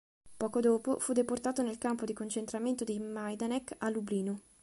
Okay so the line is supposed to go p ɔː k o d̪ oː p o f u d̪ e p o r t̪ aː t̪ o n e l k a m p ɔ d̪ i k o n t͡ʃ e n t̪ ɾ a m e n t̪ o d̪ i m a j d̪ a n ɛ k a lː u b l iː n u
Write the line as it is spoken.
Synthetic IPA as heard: p ɔː k o d̪ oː p o f u d̪ e p o r t̪ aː t̪ o n e l k a m p o d̪ i k o n t͡ʃ e n t̪ ɾ a m e n t̪ o d̪ i m a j d̪ a n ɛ k a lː u b l iː n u